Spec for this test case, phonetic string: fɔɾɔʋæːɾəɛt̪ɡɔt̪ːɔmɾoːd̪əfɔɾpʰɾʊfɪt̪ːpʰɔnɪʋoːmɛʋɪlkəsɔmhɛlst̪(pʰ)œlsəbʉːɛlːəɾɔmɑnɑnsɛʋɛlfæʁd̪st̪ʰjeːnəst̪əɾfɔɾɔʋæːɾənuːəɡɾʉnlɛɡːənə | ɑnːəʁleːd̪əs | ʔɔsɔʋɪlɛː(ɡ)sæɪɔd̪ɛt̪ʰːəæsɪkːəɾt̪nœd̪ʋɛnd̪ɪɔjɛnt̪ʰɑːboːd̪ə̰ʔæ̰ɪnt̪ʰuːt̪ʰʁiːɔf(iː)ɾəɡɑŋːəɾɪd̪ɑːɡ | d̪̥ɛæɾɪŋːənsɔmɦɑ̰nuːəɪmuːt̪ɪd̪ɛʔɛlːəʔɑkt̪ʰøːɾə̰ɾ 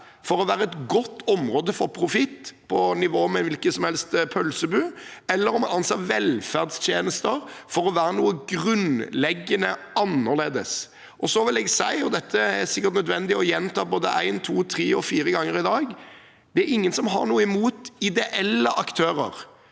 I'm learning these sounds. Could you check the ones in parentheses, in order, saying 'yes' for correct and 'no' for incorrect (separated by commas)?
yes, yes, yes